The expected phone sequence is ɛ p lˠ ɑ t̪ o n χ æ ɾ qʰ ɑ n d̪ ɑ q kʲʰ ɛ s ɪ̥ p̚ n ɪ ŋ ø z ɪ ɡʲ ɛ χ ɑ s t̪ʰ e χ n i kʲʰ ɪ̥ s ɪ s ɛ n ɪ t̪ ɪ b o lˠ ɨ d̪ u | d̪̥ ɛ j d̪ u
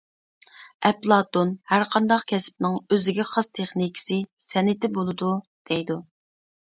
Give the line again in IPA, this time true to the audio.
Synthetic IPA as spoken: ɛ p lˠ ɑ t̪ o n h æ ɾ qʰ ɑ n d̪ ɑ q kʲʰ ɛ s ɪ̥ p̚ n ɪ ŋ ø z ɪ ɡʲ ɛ χ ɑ s t̪ʰ e χ n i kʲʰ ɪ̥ s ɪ s ɛ n ɪ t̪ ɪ b o lˠ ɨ d̪ u | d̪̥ ɛ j d̪ u